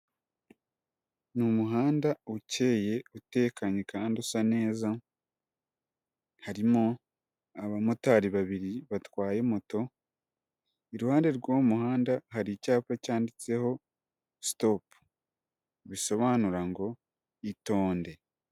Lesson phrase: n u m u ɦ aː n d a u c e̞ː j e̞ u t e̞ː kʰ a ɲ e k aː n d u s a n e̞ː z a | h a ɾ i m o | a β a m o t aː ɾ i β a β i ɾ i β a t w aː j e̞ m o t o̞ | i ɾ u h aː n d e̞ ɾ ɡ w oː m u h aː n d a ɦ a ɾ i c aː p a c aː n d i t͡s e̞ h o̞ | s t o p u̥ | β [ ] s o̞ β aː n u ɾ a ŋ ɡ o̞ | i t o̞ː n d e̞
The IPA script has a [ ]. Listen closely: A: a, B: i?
B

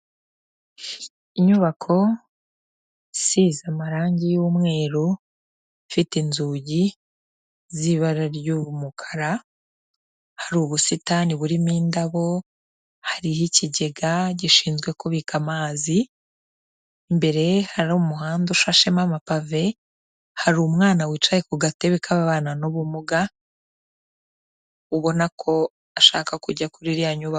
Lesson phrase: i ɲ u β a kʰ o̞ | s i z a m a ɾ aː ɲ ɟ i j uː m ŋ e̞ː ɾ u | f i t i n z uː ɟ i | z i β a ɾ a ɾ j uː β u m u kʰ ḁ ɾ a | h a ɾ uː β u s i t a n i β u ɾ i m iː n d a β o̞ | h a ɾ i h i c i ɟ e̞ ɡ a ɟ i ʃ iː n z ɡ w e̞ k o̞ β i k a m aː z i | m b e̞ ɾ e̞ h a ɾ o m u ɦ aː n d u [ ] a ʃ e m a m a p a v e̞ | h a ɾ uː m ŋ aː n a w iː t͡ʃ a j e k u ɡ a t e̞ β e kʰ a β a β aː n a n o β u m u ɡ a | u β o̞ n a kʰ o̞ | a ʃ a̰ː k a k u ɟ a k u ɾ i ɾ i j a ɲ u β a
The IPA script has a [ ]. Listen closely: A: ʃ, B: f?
A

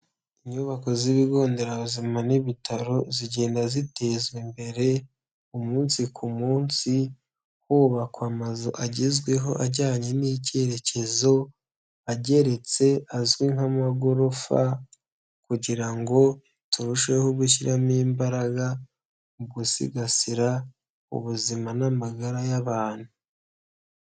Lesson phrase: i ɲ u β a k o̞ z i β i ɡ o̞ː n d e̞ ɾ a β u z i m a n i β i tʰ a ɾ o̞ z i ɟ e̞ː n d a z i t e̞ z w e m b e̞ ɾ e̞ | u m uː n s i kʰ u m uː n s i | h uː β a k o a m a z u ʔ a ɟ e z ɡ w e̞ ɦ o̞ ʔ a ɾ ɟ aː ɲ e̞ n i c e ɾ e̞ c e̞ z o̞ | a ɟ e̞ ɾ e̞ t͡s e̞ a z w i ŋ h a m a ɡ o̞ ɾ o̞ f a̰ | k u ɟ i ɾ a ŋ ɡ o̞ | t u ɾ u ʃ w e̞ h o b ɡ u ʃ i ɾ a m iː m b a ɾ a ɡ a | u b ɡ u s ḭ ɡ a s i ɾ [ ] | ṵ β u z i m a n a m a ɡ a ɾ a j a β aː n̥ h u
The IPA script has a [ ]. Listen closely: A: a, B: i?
A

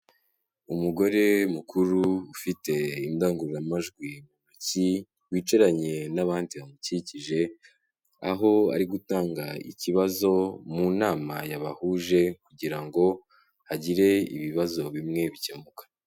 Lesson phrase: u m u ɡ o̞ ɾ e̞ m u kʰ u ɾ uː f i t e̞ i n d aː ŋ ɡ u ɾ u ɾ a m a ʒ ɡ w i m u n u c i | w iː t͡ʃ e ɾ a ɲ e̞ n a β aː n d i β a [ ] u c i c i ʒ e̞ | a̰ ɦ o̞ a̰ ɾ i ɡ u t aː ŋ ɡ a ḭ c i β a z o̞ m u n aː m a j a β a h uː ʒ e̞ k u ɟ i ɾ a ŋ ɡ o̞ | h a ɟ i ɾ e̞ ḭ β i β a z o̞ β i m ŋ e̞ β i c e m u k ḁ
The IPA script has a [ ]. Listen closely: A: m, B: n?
A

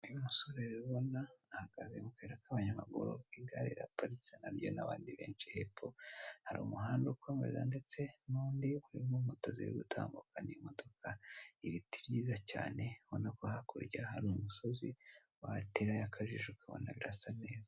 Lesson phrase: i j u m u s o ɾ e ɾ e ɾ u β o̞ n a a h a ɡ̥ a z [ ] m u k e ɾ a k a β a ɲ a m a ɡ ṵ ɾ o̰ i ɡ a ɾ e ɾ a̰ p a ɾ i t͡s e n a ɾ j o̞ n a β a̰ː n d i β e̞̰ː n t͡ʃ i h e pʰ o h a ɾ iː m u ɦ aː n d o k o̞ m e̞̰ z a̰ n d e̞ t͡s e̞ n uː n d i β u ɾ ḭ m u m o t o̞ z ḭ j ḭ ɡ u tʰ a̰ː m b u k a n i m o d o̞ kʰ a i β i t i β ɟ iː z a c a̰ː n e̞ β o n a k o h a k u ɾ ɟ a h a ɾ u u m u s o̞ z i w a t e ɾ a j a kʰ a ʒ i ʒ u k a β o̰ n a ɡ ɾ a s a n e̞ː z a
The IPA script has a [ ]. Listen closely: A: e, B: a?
A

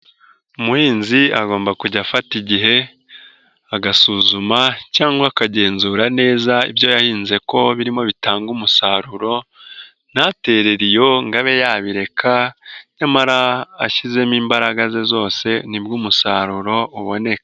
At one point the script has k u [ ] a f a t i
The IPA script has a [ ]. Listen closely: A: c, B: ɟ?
B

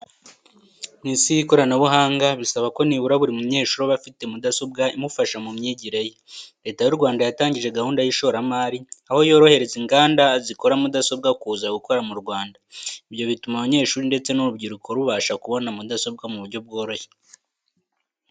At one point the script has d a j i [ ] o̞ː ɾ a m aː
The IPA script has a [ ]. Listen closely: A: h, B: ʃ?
B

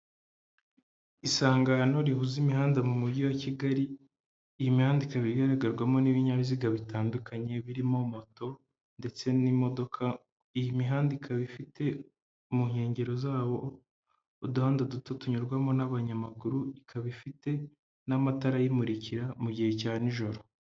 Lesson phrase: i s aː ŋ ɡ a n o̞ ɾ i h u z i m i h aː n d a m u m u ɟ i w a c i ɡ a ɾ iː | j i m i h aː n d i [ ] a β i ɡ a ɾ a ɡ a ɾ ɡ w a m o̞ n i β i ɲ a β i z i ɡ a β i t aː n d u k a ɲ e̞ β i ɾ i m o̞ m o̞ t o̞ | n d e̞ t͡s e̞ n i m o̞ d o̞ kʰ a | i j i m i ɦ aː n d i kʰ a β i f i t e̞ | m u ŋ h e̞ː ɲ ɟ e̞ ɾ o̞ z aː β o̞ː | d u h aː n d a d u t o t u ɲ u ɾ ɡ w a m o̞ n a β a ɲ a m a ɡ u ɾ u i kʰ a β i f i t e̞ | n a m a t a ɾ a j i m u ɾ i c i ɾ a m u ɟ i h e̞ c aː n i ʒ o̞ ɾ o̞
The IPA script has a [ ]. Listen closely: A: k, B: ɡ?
A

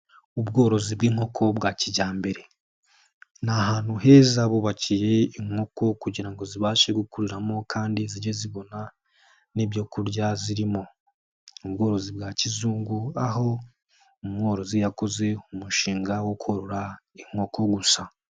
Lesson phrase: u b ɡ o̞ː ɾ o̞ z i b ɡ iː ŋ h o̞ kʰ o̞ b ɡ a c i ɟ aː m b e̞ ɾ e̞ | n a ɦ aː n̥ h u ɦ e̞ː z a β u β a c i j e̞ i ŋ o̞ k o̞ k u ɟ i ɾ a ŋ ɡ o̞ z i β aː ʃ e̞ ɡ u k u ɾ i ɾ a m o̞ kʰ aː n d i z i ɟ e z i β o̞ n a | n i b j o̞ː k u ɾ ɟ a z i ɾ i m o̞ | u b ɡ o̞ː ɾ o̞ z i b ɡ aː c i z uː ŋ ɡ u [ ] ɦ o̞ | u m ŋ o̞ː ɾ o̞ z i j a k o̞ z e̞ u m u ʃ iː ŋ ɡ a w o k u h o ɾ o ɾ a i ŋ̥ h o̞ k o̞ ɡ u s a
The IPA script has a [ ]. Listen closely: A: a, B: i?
A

